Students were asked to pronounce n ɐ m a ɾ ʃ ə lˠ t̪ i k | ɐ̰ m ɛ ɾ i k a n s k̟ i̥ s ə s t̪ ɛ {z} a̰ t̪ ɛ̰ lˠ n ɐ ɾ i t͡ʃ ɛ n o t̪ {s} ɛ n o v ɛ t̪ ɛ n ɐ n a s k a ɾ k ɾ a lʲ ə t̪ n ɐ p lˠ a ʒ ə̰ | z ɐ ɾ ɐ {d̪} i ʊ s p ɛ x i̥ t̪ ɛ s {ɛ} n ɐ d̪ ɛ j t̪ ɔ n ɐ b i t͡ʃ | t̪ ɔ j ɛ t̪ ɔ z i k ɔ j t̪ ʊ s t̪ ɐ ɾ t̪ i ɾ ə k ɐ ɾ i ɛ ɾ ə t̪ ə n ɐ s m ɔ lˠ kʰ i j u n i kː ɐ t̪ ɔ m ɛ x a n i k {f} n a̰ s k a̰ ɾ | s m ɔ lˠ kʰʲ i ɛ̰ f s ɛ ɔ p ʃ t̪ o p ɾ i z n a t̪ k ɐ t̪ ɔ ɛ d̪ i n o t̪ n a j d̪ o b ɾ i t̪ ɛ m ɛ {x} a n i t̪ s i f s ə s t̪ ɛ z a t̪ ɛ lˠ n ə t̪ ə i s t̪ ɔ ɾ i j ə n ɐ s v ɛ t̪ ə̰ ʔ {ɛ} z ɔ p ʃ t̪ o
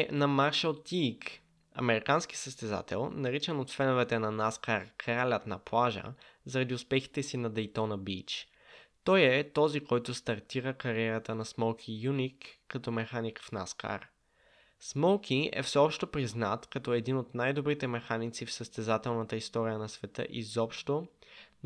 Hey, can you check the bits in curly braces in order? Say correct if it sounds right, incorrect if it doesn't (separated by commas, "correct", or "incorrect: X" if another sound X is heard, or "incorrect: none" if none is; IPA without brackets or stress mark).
correct, incorrect: f, correct, incorrect: i, correct, correct, incorrect: i